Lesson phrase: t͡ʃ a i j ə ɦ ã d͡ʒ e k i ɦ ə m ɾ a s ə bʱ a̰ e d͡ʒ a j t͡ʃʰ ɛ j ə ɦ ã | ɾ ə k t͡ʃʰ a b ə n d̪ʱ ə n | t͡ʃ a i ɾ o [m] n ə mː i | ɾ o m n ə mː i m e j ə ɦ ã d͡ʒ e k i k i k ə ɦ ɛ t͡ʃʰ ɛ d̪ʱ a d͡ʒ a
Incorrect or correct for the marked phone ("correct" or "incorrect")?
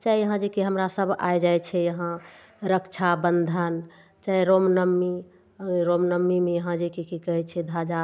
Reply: correct